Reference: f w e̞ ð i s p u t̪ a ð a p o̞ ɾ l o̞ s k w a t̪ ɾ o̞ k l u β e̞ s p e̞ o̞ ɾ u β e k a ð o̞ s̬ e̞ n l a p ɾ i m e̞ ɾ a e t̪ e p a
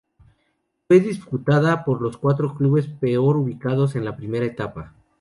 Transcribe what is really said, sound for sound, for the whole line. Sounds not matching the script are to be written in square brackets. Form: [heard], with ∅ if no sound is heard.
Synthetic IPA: f w e̞ ð i s p u t̪ a ð a p o̞ ɾ l o̞ s k w a t̪ ɾ o̞ k l u β e̞ s p e̞ o̞ ɾ u β [i] k a ð o̞ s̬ e̞ n l a p ɾ i m e̞ ɾ a e t̪ [a] p a